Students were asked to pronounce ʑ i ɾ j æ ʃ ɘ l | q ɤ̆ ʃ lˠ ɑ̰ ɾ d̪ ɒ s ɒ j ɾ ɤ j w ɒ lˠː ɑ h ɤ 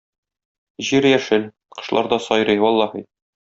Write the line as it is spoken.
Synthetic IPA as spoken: ʑ i ɾ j æ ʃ ɘ l | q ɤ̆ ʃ lˠ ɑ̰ ɾ d̪ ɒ s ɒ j ɾ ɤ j w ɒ lˠː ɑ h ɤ